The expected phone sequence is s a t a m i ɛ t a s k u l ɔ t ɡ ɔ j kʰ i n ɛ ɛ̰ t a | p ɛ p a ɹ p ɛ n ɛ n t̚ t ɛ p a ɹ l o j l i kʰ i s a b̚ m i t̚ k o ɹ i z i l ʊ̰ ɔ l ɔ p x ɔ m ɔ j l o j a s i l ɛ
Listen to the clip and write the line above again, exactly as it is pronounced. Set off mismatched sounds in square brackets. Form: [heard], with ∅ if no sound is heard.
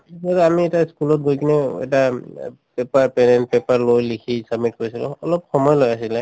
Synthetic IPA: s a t a m i ɛ t a s k u l ɔ t ɡ [o] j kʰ i n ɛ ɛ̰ t a | p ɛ p a ɹ p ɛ n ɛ n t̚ [p] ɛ p a ɹ l o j l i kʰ i s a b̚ m i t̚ k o ɹ i [s] i l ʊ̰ ɔ l ɔ p x ɔ m ɔ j l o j a s i l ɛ